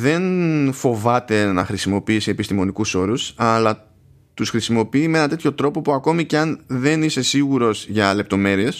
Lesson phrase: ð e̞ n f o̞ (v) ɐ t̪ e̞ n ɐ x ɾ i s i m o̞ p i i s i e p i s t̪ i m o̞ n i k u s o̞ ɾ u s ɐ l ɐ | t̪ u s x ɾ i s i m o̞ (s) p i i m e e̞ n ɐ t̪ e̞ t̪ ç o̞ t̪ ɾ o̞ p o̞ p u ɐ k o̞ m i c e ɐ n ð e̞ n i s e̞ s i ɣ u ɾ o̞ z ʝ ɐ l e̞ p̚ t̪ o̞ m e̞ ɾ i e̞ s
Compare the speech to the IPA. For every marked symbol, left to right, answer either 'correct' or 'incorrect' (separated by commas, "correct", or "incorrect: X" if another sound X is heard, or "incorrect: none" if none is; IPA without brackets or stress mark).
correct, incorrect: none